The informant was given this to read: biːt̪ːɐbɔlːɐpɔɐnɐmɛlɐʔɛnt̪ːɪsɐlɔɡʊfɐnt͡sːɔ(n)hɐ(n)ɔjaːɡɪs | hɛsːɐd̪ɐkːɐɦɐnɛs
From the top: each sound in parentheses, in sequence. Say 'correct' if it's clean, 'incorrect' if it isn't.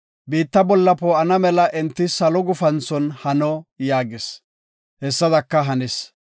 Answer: correct, correct

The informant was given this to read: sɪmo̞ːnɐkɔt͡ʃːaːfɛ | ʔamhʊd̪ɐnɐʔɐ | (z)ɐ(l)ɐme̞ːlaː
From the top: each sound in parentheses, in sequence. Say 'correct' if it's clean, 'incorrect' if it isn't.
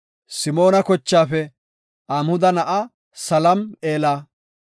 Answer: incorrect: s, correct

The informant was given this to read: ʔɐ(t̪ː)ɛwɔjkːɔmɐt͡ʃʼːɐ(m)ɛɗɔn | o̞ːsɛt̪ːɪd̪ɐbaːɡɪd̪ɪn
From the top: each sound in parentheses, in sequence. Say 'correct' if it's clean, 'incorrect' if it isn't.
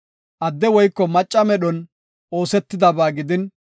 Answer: incorrect: d̪ː, correct

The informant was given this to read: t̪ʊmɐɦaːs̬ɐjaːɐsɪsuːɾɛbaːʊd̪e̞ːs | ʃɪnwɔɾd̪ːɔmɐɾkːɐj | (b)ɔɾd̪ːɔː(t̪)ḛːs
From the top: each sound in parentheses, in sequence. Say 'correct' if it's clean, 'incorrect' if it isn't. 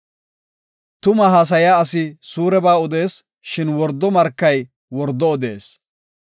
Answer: incorrect: w, incorrect: d̪

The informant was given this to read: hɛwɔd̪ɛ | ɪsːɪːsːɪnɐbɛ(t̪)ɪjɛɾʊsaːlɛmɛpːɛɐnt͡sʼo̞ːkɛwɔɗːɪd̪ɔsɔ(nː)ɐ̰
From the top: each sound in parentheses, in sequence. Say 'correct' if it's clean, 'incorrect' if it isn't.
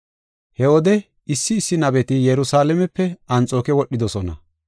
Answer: correct, incorrect: n

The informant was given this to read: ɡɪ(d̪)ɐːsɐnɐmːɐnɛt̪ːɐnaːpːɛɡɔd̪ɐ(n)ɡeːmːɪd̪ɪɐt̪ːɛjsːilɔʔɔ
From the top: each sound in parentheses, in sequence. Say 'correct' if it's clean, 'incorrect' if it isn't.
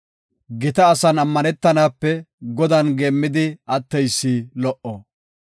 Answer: incorrect: t̪, correct

